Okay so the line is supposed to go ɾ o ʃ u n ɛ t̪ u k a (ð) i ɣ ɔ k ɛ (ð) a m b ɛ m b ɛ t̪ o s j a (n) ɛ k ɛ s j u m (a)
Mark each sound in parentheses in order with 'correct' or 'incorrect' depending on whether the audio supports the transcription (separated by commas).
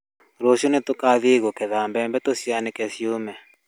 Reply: correct, correct, correct, incorrect